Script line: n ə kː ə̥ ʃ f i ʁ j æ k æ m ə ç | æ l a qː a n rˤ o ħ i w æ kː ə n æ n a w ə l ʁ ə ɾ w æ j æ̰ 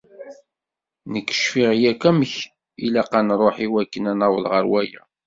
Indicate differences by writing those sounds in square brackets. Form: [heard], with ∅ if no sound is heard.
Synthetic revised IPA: n ə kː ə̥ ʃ f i ʁ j æ k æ m ə ç | [i] l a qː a n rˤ o ħ i w æ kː ə n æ n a w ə l ʁ ə ɾ w æ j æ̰